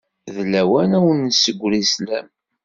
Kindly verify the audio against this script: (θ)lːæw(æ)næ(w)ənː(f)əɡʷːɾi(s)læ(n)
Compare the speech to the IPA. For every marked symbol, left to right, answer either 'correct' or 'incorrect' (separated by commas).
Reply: incorrect, correct, correct, incorrect, correct, incorrect